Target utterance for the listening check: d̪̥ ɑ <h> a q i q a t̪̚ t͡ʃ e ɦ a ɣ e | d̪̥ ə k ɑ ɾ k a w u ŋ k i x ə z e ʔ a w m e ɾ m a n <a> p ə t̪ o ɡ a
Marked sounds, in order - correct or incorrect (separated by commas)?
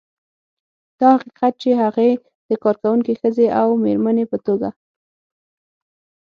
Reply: correct, incorrect